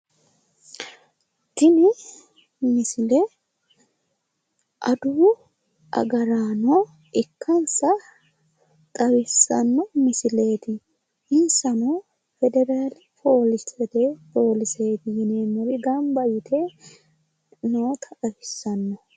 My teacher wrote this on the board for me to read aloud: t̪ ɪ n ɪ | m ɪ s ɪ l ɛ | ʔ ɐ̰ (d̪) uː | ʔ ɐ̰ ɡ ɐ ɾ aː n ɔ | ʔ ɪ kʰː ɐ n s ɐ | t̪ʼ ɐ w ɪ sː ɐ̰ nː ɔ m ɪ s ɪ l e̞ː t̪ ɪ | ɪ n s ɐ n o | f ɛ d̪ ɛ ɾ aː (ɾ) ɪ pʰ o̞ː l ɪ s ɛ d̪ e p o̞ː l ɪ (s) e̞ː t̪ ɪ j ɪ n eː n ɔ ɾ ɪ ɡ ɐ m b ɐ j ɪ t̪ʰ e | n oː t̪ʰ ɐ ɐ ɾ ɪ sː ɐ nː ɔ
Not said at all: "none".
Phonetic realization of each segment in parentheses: d̪, l, s

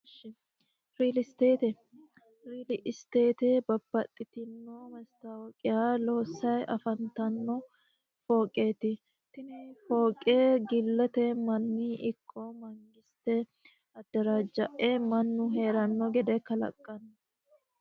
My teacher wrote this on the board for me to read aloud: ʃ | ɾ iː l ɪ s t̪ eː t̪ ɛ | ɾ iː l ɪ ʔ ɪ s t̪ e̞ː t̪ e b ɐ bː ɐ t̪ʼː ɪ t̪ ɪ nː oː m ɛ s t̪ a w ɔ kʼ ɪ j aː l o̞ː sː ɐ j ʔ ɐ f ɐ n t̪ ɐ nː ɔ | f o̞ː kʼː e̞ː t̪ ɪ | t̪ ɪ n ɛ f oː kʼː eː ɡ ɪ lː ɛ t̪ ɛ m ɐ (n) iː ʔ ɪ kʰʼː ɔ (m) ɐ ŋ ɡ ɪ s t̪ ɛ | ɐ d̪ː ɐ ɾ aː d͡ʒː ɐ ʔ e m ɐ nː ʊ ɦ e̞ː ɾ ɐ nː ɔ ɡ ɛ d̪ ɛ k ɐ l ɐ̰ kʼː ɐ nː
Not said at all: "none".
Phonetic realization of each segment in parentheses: nː, m

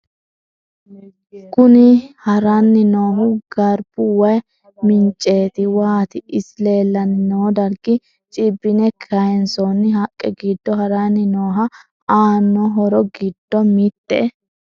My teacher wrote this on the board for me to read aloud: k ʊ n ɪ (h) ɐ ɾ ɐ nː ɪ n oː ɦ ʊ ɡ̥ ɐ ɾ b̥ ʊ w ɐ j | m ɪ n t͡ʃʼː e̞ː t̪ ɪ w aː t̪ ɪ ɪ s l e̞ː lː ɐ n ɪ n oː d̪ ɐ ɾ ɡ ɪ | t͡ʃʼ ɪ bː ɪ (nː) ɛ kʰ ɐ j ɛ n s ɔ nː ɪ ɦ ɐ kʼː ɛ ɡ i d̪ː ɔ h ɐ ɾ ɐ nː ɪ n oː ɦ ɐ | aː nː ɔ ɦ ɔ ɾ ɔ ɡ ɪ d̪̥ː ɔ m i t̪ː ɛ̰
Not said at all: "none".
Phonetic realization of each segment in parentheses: h, n

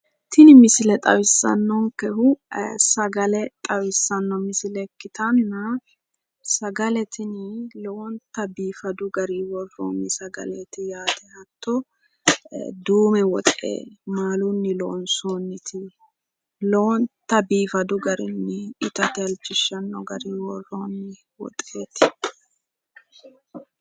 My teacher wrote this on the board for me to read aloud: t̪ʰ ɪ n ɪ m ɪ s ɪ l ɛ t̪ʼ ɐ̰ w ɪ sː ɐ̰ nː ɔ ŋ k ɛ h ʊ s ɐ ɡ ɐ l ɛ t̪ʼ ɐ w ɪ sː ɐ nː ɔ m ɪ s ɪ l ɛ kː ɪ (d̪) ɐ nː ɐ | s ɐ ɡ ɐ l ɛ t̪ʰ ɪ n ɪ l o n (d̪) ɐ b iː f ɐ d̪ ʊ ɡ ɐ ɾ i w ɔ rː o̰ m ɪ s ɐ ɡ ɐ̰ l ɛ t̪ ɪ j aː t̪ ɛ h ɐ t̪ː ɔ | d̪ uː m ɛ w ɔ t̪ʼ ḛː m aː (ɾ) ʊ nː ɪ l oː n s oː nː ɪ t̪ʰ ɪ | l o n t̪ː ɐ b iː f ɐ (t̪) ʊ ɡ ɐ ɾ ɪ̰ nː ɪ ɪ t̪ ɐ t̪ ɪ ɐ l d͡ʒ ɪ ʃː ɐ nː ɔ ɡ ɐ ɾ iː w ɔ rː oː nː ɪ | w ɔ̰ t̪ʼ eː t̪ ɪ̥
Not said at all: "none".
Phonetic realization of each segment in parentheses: t̪, t̪, l, d̪

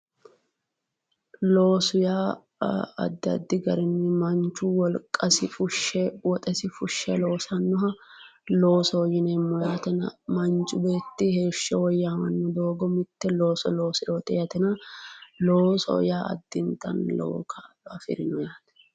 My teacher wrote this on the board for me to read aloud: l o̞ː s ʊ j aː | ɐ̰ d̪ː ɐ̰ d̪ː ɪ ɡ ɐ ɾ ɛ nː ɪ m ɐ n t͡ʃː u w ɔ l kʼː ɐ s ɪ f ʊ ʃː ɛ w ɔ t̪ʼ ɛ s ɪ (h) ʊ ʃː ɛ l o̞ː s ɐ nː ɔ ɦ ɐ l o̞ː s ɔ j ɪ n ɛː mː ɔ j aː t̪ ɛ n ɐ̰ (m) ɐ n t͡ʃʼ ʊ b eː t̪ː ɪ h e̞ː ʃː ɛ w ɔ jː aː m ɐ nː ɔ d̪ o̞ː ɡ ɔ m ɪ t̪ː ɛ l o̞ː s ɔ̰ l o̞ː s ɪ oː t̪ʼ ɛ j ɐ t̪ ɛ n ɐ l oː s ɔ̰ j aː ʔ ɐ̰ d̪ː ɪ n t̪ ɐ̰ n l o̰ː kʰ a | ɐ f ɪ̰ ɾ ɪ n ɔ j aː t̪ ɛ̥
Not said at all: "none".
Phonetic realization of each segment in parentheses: f, m

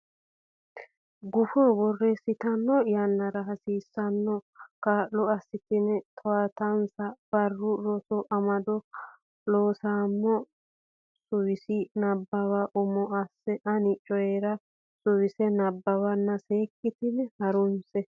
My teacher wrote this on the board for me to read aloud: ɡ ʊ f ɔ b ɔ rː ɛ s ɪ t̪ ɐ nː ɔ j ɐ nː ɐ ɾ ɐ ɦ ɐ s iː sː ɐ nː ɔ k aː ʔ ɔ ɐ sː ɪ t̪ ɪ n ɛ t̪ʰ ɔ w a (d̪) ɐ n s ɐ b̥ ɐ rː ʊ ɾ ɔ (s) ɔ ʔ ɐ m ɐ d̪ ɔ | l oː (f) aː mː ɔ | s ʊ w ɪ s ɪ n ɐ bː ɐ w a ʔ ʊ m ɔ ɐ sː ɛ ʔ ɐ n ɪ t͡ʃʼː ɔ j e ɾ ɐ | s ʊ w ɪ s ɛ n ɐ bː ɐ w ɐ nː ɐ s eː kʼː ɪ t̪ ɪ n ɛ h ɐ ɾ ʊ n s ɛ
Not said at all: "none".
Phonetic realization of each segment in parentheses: t̪, s, s

